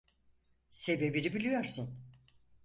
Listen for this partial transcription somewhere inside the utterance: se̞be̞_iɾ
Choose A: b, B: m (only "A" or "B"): A